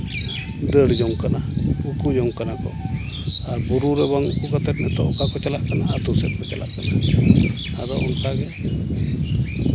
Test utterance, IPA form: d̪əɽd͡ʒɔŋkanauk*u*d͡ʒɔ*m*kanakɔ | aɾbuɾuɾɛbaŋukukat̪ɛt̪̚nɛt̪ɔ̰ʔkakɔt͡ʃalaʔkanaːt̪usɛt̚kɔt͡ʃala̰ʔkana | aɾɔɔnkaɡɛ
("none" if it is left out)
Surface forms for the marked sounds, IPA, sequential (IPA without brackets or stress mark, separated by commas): u, ŋ